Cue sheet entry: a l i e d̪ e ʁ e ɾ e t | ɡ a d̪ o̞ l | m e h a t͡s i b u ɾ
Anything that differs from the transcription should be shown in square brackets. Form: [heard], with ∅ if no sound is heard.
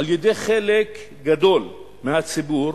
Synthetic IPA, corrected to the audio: a l [j] e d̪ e [χ] e [l] e [k] | ɡ a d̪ o̞ l | m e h a t͡s i b u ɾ